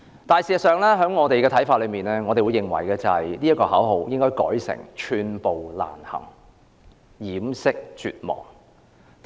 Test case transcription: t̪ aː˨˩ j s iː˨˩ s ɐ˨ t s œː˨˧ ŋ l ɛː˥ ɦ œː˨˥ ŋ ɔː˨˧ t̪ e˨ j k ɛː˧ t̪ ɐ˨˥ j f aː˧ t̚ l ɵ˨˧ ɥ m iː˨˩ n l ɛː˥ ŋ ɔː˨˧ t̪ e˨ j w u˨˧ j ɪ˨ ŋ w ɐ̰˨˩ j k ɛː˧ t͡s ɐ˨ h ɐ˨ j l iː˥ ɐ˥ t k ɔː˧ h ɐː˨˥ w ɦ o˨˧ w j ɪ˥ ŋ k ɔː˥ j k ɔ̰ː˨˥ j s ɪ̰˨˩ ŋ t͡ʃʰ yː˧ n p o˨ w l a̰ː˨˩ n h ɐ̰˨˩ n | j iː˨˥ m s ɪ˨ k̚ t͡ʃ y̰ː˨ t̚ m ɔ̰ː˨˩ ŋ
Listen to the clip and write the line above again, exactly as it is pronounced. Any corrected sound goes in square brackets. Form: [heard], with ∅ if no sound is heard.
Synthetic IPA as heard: t̪ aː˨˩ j s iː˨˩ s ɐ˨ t s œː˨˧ ŋ l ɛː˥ ɦ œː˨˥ ŋ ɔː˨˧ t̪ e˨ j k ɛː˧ [t̪ʰ] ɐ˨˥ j f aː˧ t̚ l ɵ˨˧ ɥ m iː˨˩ n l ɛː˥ ŋ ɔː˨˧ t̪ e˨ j w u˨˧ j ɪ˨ ŋ w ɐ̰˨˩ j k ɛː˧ t͡s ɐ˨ h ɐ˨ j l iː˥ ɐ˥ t k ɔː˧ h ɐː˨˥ w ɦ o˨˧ w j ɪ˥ ŋ k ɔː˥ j k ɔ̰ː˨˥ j s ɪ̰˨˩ ŋ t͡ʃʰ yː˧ n p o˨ w l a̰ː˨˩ n h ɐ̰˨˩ [ŋ] | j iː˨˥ m s [ɪ˥] k̚ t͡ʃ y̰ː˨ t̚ m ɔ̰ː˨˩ ŋ